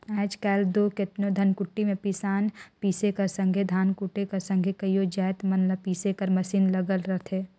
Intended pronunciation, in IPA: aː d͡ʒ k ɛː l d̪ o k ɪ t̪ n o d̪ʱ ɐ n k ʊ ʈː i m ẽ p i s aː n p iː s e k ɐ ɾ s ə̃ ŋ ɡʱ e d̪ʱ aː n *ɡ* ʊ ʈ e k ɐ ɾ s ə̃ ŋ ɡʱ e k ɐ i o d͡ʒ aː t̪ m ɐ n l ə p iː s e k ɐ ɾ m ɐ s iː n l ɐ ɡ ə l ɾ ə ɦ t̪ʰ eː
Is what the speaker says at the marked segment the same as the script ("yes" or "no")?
no